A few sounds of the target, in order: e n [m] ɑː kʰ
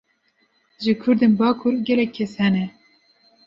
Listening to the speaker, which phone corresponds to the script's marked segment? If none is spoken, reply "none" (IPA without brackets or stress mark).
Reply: b